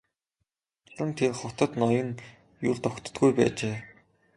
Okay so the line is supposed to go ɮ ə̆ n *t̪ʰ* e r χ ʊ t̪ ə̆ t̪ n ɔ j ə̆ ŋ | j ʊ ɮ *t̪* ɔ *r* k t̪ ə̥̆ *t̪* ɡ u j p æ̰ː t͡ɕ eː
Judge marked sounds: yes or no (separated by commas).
yes, yes, no, yes